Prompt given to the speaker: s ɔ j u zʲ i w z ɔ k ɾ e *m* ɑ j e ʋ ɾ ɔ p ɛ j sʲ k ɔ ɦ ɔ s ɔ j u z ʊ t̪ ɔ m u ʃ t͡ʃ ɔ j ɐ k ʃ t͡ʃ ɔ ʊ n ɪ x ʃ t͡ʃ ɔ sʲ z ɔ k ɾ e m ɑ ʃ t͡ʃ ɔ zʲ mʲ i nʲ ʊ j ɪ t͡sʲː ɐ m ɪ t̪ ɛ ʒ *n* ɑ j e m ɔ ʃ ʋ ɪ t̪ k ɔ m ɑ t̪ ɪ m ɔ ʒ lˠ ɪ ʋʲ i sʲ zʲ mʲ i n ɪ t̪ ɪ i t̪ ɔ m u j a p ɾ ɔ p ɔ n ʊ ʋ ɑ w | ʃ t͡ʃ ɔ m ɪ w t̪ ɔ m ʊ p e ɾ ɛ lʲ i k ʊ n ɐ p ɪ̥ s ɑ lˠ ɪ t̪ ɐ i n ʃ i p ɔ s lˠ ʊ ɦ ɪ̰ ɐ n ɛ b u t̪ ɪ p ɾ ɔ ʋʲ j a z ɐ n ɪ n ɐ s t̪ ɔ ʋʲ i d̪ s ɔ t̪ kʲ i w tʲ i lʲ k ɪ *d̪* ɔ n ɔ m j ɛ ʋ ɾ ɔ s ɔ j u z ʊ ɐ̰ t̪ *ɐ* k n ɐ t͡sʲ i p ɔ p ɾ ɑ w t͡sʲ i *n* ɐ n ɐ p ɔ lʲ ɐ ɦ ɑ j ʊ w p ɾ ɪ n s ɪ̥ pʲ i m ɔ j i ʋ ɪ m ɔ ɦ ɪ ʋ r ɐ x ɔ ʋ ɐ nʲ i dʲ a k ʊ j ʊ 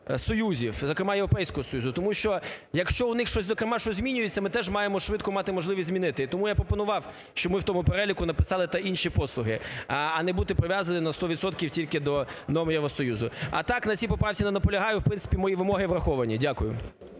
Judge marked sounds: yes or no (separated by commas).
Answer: yes, no, yes, no, yes